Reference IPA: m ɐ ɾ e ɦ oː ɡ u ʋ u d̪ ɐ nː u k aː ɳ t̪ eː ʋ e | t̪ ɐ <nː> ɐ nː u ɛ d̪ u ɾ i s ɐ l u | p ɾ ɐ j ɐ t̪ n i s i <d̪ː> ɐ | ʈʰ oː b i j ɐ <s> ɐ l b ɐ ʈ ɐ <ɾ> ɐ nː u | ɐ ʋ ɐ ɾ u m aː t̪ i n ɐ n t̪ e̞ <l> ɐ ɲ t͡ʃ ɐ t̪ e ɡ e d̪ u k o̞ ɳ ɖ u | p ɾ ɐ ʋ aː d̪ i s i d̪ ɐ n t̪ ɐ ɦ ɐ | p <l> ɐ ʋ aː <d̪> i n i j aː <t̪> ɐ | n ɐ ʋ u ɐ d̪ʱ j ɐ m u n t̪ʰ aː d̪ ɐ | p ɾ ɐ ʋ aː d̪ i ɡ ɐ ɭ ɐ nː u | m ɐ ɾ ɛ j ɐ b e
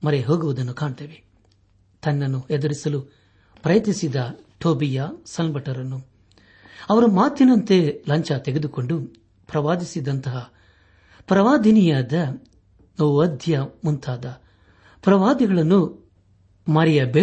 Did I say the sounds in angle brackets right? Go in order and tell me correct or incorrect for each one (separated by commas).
correct, incorrect, correct, correct, correct, incorrect, correct, incorrect